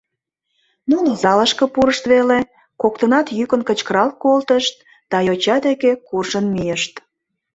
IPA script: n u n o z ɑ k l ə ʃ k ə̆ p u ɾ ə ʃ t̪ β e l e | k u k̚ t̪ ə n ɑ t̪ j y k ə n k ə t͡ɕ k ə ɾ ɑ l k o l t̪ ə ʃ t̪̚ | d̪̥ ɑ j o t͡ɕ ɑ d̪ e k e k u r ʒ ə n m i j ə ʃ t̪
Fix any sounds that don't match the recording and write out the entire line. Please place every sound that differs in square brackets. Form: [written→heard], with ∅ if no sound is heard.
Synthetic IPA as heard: n u n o z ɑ [k→∅] l ə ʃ k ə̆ p u ɾ ə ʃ t̪ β e l e | k [u→o] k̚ t̪ ə n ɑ t̪ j y k ə n k ə t͡ɕ k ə ɾ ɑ l k o l t̪ ə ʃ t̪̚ | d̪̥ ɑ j o t͡ɕ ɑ d̪ e k e k u r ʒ ə n m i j ə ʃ t̪